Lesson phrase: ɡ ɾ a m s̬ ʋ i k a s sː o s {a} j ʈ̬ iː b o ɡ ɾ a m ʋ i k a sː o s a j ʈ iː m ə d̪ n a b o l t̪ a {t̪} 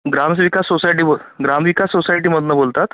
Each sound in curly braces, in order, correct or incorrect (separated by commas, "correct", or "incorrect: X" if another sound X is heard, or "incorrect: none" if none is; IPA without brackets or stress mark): correct, correct